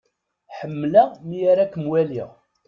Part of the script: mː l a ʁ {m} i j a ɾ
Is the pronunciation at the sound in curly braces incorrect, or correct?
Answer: correct